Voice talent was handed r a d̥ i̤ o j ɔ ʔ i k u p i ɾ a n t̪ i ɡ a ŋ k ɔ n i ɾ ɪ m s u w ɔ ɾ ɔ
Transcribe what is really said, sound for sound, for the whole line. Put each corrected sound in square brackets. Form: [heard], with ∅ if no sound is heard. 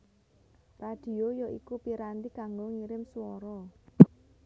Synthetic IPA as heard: r a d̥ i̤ o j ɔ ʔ i k u p i ɾ a n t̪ i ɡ a ŋ [ɡ] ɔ [ŋ] i ɾ ɪ m s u w ɔ ɾ ɔ